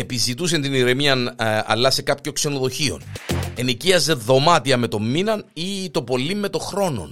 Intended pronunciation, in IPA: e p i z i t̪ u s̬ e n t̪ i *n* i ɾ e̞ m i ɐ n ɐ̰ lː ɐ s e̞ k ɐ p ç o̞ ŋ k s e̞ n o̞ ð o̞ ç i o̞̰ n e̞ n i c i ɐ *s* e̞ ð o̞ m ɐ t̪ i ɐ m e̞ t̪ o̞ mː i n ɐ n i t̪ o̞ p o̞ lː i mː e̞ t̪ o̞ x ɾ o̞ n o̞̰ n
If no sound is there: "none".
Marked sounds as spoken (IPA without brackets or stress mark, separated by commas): n, z